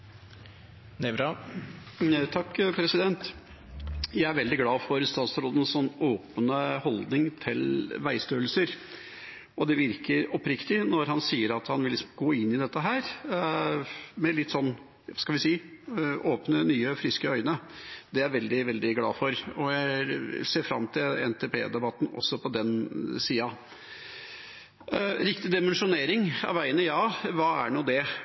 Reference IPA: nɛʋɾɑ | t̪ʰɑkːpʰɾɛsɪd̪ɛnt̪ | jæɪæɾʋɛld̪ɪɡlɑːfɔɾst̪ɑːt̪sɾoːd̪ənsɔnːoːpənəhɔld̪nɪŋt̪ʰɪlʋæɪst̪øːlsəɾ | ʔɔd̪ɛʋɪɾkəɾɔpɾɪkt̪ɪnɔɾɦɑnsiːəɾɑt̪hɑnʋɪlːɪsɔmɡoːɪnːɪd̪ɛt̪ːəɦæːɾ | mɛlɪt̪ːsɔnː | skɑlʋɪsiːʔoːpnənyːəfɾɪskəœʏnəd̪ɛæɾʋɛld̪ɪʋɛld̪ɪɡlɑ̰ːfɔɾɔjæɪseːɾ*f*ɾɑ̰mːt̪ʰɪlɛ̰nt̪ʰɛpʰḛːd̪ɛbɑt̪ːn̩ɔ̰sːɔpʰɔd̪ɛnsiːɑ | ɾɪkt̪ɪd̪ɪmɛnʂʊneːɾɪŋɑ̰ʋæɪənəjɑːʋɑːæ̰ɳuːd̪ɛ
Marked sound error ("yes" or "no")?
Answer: no